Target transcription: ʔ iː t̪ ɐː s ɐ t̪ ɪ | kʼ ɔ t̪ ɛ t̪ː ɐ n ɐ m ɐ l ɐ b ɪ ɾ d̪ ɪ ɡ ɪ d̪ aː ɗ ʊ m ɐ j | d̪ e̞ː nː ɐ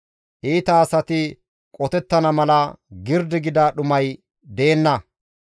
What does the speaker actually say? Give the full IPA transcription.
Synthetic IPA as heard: ʔ iː t̪ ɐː s ɐ t̪ ɪ | kʼ ɔ t̪ ɛ t̪ː ɐ n ɐ m ɐ l ɐ ɡ ɪ ɾ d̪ ɪ ɡ ɪ d̪ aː ɗ ʊ m ɐ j | d̪ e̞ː nː ɐ